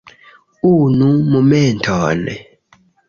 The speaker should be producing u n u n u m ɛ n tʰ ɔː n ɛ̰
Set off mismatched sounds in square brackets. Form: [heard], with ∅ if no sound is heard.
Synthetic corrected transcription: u n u [m] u m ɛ n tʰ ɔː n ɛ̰